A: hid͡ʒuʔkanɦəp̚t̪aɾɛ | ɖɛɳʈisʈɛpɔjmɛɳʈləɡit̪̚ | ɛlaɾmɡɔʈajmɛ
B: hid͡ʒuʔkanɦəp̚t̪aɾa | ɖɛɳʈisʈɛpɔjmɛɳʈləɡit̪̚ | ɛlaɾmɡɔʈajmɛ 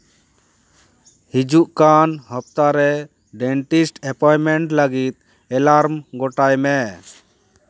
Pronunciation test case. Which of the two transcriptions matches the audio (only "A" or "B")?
A